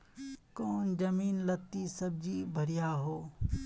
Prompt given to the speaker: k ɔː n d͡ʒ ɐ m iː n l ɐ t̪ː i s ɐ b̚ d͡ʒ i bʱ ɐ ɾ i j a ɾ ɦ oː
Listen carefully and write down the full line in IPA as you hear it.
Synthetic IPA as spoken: k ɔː n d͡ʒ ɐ m iː n l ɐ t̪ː i s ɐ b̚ d͡ʒ i bʱ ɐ ɾ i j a ɦ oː